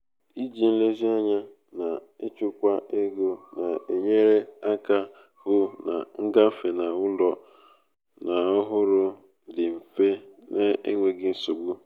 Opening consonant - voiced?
yes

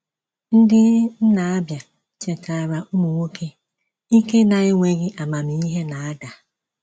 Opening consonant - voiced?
yes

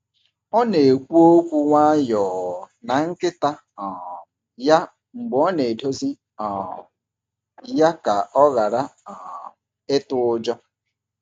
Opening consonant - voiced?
yes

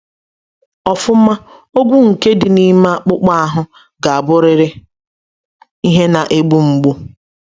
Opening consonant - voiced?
no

